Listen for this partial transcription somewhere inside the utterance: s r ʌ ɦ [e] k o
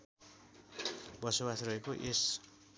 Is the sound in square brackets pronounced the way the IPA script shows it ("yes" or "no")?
yes